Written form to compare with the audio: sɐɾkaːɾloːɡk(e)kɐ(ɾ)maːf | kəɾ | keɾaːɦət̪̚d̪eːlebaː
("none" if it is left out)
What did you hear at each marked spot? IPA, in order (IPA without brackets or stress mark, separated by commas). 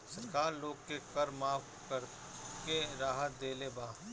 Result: e, ɾ